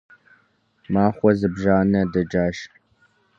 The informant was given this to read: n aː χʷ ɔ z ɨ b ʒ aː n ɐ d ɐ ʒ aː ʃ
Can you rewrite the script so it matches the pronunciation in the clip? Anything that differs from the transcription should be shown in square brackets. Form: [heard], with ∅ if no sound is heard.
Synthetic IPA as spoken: [m] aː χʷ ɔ z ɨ b ʒ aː n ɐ d ɐ [d͡ʒ] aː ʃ